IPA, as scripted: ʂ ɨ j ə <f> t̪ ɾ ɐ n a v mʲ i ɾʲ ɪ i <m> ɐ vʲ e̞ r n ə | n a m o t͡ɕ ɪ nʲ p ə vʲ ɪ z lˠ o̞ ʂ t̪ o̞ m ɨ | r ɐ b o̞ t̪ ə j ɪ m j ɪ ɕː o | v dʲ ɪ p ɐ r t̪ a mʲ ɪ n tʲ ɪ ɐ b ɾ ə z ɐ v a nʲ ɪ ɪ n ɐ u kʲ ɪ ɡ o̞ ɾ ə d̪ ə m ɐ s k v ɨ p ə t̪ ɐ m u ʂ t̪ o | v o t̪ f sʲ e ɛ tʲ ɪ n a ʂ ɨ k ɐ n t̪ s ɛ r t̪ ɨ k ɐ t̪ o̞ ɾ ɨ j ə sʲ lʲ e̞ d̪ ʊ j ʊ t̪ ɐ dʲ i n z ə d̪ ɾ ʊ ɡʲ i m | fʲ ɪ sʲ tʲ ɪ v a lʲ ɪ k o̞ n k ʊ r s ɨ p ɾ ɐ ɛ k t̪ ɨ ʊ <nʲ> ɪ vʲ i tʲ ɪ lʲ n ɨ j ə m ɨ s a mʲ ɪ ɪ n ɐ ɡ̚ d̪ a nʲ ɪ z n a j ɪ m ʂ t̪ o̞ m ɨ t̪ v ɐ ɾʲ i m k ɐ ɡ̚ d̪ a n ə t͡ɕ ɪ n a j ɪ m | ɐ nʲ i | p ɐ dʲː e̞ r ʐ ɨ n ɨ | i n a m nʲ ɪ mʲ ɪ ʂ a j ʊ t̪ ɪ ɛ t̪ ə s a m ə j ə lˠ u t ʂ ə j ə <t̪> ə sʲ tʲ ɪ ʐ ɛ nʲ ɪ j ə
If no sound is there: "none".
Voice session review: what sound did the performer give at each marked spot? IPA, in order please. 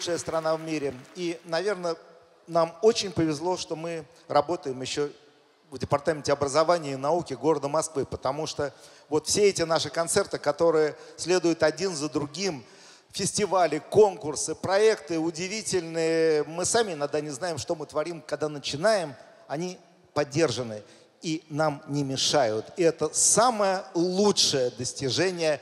s, n, dʲ, d̪

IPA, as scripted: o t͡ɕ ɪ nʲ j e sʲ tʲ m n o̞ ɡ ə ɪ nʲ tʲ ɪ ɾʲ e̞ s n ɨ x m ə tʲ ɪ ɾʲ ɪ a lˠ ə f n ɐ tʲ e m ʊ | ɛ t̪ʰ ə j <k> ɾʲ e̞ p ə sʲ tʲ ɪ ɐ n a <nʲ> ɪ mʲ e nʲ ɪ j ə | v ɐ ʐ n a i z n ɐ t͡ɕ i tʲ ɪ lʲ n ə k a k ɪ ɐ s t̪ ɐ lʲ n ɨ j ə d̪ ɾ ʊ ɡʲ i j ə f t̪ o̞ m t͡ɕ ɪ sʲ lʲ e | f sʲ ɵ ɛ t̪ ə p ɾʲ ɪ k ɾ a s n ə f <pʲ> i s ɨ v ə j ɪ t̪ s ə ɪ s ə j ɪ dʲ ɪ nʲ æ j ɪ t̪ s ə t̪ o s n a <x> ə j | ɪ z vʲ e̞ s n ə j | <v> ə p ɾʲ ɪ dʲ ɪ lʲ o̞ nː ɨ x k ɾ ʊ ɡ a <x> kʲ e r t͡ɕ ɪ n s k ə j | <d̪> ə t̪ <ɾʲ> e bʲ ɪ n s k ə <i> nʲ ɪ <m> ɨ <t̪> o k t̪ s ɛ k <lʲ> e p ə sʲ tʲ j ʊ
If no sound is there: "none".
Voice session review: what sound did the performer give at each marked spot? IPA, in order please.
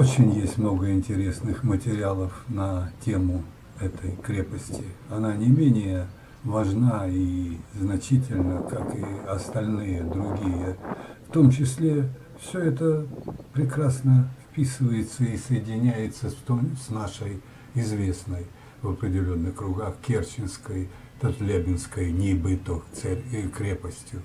k, nʲ, pʲ, ʂ, v, x, t̪, lʲ, j, b, t̪, ɾʲ

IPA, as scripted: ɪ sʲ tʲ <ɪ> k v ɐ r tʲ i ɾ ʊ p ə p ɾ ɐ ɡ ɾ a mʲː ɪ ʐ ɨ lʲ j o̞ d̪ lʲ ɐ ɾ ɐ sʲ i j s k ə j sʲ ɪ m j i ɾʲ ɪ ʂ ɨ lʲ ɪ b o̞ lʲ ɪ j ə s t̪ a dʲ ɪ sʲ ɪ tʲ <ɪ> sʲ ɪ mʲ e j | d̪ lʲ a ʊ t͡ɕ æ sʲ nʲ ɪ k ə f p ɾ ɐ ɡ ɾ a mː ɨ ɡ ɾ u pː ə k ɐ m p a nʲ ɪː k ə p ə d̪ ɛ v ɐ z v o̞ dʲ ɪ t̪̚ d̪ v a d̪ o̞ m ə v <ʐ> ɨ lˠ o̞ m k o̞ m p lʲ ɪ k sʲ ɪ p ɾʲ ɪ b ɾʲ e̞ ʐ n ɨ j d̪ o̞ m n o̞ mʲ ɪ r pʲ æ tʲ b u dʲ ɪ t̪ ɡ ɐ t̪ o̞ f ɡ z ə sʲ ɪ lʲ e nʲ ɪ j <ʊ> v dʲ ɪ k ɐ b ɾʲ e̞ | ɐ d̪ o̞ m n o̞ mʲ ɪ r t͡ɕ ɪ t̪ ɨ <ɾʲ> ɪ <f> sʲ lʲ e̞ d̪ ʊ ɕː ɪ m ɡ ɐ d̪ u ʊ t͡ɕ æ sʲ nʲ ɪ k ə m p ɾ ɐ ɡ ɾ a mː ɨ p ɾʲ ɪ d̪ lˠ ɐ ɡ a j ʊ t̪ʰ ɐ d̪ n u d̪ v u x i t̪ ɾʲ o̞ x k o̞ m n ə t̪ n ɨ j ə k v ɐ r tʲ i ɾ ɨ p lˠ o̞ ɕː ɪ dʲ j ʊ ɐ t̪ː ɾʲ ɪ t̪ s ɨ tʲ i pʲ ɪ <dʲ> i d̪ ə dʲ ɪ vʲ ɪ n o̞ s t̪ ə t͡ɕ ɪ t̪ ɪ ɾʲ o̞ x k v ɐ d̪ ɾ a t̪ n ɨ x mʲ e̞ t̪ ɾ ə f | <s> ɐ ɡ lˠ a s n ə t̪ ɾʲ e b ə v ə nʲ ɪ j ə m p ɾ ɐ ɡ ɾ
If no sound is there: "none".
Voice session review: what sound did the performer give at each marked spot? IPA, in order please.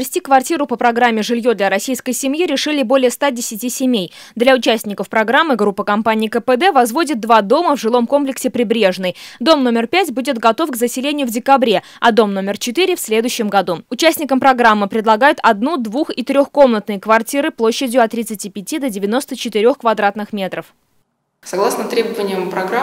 i, i, ʐ, ʊ, ɾʲ, f, tʲ, s

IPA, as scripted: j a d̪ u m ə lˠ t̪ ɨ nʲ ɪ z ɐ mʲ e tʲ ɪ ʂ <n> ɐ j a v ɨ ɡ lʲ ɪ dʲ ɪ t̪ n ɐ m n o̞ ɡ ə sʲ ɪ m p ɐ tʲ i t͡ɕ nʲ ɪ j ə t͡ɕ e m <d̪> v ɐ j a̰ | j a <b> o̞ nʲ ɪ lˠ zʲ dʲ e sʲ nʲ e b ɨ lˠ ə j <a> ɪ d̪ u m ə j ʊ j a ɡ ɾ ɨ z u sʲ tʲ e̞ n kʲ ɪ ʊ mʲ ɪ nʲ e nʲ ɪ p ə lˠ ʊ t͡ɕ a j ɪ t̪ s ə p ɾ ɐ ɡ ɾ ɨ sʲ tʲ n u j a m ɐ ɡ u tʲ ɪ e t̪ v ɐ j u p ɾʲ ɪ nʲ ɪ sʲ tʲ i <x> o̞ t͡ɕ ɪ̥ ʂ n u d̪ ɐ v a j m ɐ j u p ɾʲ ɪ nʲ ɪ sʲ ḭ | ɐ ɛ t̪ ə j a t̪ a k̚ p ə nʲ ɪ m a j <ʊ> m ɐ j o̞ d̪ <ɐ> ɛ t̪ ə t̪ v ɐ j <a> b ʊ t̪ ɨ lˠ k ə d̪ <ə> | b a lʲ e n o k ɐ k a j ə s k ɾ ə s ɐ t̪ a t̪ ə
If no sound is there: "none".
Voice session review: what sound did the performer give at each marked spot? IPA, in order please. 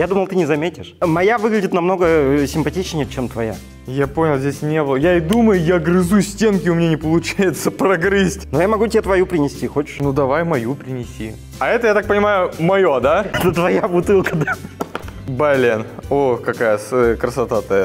m, t̪, p, a, x, ʊ, a, a, a

